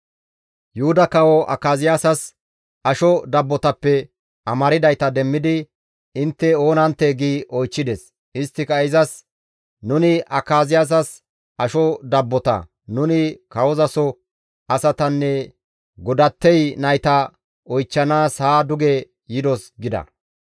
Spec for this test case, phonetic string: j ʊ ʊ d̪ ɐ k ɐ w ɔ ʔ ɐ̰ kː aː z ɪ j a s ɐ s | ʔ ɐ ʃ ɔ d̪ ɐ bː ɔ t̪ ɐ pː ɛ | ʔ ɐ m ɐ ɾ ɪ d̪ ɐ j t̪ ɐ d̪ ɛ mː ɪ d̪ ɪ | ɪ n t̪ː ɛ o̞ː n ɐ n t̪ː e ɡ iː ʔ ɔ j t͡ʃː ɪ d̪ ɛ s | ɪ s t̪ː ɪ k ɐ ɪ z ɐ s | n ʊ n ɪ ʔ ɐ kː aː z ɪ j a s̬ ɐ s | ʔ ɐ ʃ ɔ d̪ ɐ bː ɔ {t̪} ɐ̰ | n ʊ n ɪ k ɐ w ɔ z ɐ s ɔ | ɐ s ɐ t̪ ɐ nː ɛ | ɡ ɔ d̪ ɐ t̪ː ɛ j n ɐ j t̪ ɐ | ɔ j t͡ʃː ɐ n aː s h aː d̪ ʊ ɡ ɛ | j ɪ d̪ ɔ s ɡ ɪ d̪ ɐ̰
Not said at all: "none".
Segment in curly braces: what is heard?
t̪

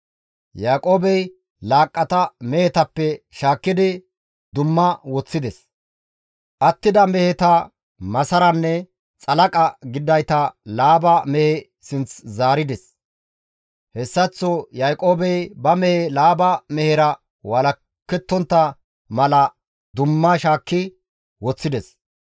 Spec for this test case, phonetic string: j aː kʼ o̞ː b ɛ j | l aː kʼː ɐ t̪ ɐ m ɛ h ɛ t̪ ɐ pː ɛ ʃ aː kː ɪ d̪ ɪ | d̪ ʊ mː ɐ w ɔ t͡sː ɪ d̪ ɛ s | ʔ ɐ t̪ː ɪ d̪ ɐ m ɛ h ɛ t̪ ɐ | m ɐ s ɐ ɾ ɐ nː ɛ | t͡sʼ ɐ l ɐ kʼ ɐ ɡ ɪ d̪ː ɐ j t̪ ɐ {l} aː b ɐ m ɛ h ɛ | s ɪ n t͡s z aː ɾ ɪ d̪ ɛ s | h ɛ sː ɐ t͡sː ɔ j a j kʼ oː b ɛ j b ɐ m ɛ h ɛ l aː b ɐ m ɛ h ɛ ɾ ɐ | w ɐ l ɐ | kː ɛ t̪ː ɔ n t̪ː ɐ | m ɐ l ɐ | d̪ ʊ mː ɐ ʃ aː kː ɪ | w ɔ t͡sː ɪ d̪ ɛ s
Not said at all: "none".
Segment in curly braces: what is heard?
l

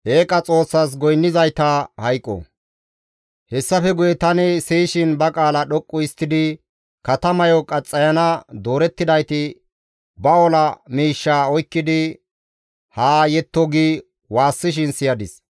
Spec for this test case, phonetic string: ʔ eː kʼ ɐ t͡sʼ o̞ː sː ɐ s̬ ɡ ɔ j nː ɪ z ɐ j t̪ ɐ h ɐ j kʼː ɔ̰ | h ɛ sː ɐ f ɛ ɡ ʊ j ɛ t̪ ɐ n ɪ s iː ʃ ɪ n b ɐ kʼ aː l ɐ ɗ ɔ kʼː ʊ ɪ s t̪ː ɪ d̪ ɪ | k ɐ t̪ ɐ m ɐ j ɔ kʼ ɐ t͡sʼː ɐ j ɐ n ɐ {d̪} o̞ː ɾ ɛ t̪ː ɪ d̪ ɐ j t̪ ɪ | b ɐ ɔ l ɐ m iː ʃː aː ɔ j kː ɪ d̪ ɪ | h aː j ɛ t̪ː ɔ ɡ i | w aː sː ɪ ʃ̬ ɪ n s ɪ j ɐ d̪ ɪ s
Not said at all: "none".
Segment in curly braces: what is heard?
d̪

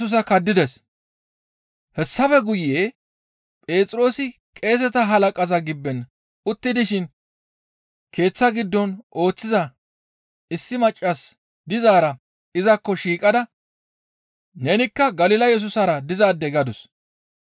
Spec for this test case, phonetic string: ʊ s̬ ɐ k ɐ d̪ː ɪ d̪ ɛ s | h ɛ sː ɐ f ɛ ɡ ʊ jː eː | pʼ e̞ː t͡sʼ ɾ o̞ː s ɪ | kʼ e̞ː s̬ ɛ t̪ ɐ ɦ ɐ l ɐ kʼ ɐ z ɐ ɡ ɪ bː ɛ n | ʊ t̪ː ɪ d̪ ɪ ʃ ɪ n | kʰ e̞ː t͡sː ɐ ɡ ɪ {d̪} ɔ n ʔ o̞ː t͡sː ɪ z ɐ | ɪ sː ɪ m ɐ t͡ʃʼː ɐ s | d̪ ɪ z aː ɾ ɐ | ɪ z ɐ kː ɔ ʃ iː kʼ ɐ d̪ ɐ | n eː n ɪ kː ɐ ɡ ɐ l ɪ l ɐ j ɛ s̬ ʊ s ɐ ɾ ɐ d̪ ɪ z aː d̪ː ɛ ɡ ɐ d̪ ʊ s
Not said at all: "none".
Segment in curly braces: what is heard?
d̪ː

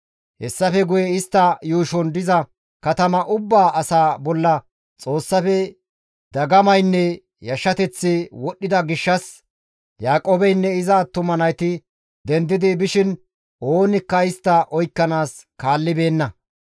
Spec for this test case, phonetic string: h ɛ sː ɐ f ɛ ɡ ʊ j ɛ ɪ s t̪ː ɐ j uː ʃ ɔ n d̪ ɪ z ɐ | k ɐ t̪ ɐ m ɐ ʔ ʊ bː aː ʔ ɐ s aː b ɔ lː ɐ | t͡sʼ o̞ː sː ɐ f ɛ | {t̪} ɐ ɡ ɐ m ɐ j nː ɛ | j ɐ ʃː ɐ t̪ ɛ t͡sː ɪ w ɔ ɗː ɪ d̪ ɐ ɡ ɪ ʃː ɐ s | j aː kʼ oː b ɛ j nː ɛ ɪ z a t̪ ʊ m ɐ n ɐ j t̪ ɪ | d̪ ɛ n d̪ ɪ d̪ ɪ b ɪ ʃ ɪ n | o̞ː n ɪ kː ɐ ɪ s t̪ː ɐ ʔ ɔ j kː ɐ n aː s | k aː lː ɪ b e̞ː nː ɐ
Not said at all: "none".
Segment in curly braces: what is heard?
d̪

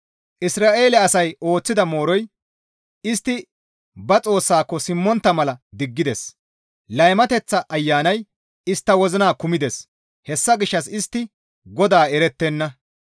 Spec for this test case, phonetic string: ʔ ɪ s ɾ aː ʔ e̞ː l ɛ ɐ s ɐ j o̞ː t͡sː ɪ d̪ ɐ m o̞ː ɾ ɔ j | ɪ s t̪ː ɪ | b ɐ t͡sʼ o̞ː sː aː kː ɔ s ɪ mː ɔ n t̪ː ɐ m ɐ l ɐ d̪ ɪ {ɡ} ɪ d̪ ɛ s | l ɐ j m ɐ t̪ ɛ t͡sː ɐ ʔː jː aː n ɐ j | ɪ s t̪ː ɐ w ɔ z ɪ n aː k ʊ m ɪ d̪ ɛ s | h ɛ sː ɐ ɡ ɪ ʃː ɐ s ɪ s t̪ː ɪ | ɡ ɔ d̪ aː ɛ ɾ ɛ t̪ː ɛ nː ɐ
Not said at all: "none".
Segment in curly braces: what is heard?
ɡː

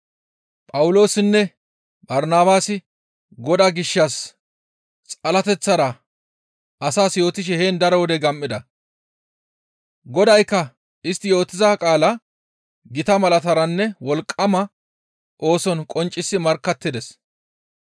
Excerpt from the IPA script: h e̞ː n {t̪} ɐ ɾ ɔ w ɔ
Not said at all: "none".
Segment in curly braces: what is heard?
d̪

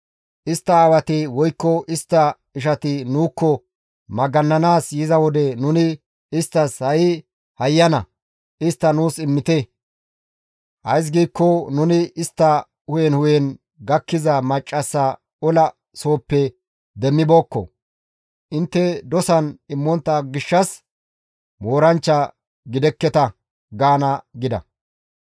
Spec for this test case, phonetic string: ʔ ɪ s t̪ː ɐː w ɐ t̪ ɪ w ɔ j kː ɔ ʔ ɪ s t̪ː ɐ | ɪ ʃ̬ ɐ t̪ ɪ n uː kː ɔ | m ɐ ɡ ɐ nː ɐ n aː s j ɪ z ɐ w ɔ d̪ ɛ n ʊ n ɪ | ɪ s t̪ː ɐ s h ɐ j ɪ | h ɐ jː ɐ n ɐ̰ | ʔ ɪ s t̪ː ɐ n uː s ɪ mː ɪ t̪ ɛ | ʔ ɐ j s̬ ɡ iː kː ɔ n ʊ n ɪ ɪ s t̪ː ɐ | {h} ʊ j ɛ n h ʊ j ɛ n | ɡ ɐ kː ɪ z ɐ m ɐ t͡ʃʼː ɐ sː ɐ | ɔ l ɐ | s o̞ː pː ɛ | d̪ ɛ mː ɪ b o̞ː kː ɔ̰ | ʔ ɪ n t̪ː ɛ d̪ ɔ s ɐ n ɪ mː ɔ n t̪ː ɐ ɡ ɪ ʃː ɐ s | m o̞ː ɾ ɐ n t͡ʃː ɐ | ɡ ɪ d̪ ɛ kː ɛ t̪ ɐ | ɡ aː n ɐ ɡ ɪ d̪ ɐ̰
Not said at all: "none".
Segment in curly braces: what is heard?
h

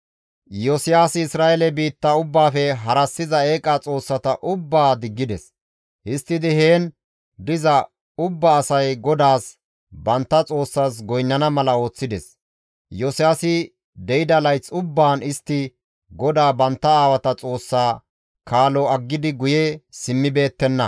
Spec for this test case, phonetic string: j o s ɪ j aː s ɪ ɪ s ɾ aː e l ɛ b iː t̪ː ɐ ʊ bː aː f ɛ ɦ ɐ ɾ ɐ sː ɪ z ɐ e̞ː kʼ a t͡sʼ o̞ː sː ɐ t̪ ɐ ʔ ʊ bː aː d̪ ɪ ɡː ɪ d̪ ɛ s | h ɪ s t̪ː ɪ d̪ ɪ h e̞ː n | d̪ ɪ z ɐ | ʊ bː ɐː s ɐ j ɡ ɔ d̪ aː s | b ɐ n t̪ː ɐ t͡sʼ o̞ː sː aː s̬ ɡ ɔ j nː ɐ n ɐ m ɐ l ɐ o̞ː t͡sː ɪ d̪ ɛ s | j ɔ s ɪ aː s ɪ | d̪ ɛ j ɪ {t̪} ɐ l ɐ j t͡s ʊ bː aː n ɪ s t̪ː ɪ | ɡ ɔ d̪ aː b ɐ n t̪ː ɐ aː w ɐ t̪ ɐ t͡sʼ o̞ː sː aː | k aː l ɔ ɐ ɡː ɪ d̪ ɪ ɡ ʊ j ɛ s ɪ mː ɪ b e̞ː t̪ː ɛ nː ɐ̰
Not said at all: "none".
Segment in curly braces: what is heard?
d̪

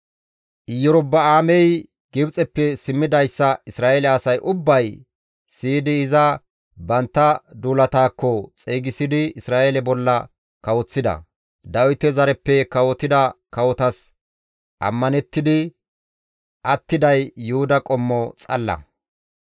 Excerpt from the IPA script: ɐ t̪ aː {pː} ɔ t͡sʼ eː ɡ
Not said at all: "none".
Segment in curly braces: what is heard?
kː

